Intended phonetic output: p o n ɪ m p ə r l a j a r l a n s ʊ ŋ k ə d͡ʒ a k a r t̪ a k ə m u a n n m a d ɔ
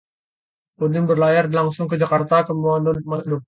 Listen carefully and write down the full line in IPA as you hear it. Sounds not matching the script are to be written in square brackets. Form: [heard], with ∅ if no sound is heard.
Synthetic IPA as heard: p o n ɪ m [b] ə r l a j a r l a [ŋ] s ʊ ŋ k ə d͡ʒ a k a r t̪ a k ə m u a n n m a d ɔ